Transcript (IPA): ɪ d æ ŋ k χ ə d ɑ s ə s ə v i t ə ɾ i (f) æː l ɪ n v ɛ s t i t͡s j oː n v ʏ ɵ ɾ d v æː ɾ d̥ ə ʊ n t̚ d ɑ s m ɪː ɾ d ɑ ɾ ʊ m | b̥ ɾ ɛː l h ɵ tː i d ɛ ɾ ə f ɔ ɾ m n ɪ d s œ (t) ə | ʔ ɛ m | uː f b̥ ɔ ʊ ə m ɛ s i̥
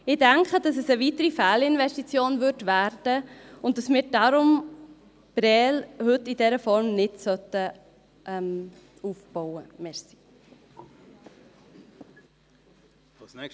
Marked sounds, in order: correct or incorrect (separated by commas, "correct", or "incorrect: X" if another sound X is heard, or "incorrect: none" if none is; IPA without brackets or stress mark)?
correct, correct